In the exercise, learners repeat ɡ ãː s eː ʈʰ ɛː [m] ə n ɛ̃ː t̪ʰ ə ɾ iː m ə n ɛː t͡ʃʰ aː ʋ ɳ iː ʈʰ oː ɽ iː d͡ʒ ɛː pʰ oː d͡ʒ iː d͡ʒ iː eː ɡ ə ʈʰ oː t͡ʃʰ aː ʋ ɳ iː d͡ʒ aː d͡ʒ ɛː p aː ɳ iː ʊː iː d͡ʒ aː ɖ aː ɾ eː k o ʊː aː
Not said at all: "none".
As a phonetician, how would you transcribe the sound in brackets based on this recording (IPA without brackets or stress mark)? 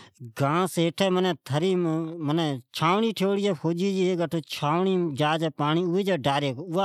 m